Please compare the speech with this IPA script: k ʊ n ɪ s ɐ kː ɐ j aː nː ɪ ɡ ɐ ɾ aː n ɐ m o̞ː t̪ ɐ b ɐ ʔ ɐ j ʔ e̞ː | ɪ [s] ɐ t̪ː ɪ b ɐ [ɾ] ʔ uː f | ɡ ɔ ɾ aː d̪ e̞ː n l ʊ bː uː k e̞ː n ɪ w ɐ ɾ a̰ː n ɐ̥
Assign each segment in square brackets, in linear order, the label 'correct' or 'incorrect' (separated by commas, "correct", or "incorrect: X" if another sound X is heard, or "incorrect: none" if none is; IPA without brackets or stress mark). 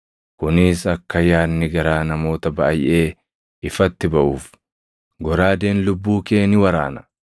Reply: incorrect: f, incorrect: none